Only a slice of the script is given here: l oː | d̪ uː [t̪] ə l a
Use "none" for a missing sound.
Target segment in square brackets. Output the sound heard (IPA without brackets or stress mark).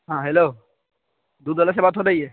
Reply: d̪